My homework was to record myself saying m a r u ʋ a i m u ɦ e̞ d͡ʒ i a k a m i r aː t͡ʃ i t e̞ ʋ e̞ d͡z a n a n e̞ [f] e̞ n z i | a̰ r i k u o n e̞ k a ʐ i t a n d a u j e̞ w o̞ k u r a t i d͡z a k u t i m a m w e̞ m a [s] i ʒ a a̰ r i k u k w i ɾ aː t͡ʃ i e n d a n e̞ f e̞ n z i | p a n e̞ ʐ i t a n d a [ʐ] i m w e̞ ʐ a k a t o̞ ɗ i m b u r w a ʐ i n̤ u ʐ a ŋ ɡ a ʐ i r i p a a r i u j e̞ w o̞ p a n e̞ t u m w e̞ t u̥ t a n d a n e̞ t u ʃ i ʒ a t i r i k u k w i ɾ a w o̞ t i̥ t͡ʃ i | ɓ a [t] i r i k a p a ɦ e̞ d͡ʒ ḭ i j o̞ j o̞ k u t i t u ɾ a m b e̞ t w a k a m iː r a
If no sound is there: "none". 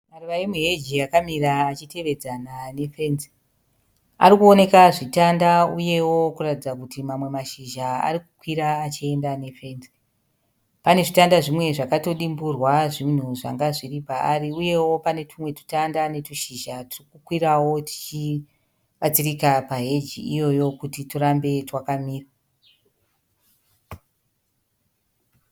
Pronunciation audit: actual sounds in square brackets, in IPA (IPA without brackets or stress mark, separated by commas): f, ʃ, ʐ, t͡s